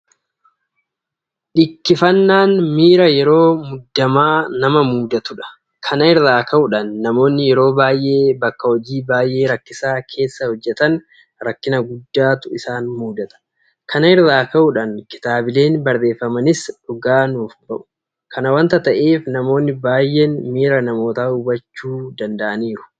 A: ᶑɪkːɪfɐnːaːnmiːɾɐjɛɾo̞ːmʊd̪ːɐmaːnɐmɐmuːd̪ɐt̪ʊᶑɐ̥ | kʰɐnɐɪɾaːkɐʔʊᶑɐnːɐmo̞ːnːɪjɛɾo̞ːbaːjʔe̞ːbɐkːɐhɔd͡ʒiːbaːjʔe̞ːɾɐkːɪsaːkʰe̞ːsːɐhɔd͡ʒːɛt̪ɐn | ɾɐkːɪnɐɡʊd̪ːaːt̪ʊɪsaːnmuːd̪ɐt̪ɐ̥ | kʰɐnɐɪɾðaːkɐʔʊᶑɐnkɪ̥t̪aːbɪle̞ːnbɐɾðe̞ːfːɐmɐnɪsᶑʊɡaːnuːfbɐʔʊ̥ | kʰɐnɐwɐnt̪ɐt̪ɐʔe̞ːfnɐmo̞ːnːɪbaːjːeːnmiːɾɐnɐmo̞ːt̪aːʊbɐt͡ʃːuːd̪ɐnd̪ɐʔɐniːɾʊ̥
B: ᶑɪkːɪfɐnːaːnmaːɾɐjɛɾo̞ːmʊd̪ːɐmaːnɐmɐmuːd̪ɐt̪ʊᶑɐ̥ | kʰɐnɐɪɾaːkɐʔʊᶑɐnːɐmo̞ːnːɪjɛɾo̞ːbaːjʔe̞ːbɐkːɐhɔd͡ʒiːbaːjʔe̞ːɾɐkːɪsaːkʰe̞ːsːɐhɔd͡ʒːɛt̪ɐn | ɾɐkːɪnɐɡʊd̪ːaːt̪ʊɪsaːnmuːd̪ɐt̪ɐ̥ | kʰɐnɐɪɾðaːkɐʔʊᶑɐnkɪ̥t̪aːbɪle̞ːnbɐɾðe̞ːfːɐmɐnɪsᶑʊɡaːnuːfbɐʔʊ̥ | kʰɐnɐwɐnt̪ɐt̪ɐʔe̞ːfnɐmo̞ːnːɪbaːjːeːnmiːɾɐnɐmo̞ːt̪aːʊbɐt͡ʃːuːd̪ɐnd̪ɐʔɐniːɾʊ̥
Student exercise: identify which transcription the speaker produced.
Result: A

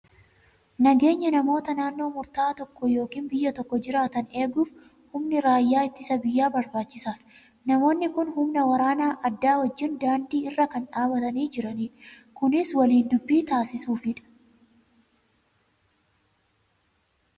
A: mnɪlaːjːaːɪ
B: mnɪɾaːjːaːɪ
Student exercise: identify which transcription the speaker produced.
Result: B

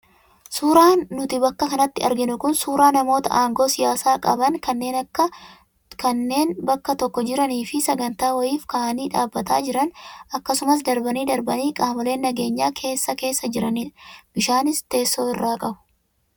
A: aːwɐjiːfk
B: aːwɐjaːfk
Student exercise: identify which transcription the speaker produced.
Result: A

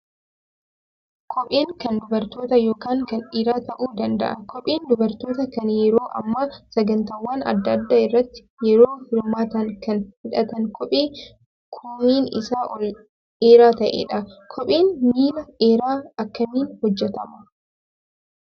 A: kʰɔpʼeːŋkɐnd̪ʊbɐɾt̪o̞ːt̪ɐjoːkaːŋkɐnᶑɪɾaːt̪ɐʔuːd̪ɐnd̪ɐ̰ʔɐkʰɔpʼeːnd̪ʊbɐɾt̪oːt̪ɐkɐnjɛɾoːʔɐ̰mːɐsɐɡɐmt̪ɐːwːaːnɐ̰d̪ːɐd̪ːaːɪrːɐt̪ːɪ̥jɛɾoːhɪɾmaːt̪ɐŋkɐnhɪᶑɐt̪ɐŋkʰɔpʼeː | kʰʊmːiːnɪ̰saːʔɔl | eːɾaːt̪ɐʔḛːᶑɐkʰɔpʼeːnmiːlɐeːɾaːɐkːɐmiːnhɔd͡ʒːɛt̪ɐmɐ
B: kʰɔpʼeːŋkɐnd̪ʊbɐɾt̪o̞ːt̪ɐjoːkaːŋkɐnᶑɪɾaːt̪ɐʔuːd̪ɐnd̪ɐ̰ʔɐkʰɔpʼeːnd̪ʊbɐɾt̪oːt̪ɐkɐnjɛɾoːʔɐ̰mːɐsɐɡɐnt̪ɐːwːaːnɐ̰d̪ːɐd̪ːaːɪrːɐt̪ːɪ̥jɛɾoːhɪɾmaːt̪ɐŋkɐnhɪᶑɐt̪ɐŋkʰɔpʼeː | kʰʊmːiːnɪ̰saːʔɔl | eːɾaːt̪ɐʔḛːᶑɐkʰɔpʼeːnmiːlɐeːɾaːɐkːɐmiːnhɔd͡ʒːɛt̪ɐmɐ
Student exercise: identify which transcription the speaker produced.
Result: B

